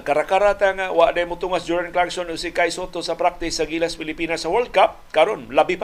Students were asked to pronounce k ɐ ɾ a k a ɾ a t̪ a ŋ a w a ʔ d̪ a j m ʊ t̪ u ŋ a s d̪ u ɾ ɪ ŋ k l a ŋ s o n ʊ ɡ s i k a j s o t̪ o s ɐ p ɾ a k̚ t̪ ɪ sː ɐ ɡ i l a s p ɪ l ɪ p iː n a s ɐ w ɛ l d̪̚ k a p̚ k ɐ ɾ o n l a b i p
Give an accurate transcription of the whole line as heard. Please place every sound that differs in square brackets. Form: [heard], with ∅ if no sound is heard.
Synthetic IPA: k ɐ ɾ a k a ɾ a t̪ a ŋ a w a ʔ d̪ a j m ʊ t̪ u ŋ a s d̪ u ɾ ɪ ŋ k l a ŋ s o n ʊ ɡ s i k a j s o t̪ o s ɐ p ɾ a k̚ t̪ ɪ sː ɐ ɡ i l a s p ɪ l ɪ p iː n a s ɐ w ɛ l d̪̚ k a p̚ k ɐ ɾ o n l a b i p